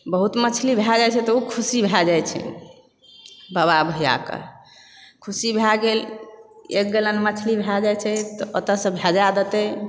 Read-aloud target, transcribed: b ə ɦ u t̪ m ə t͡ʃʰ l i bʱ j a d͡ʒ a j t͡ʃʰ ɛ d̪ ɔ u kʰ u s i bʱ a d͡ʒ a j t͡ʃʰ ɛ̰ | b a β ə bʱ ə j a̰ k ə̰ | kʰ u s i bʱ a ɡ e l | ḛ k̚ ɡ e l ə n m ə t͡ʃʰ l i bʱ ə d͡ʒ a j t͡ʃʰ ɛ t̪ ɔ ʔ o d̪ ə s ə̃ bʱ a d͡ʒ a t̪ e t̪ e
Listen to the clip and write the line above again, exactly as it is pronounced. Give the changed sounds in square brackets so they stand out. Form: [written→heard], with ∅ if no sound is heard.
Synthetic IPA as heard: b ə ɦ u t̪ m ə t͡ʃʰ l i bʱ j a d͡ʒ a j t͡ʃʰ ɛ [d̪→t̪] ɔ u kʰ u s i bʱ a d͡ʒ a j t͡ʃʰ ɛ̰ | b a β [ə→a] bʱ ə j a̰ k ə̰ | kʰ u s i bʱ a ɡ e l | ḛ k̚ ɡ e l ə n m ə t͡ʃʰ l i bʱ [ə→a] d͡ʒ a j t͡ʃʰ ɛ t̪ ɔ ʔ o [d̪→t̪] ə s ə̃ bʱ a d͡ʒ a [t̪→d̪] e t̪ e